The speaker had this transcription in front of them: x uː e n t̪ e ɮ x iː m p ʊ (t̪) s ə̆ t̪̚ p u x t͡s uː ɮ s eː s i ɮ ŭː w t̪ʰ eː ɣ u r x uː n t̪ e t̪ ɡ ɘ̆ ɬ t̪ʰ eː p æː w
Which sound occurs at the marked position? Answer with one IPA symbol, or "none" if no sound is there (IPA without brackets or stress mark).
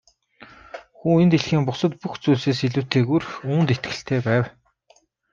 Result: none